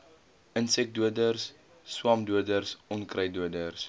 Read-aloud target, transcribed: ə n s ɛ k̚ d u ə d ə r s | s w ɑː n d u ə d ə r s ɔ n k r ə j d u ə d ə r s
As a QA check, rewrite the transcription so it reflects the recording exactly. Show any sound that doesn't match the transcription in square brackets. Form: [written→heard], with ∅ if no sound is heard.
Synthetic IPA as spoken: ə n s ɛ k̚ d u ə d ə r s | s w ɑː [n→m] d u ə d ə r s ɔ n k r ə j d u ə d ə r s